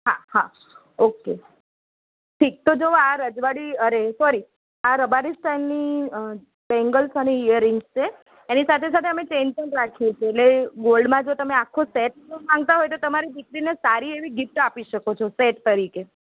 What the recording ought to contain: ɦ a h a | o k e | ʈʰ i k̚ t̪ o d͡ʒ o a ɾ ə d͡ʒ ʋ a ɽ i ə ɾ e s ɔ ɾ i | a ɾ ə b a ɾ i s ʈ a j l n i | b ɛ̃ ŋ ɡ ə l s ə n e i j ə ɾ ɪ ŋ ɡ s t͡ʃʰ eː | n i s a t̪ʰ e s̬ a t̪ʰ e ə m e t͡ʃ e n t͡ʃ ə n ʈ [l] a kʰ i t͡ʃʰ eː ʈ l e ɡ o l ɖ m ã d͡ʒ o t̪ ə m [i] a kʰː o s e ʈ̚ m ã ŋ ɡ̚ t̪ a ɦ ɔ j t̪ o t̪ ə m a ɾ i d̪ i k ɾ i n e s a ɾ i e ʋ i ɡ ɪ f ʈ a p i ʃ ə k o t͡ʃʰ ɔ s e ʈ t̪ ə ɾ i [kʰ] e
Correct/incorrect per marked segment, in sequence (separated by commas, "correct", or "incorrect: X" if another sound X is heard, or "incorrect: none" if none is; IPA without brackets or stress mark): incorrect: ɾ, incorrect: e, incorrect: k